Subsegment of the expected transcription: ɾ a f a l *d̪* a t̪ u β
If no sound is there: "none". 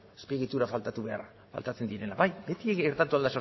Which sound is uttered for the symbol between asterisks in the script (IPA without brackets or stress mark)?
t̪